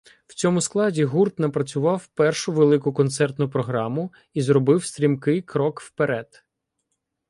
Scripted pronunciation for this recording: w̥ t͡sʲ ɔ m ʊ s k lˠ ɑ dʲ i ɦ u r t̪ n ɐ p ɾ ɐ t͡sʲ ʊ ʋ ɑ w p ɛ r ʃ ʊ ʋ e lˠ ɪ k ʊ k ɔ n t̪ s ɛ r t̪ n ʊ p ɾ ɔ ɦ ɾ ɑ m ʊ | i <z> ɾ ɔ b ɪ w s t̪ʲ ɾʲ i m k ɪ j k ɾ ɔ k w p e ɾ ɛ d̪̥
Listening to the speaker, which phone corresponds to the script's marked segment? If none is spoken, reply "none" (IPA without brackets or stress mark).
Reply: z